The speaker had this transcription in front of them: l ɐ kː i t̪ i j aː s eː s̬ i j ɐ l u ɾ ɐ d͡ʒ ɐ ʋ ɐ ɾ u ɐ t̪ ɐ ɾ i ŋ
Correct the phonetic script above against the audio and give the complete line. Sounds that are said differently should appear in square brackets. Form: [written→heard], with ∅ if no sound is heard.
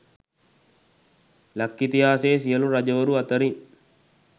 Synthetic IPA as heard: l ɐ kː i t̪ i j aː s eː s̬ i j ɐ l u ɾ ɐ d͡ʒ ɐ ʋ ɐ ɾ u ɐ t̪ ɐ ɾ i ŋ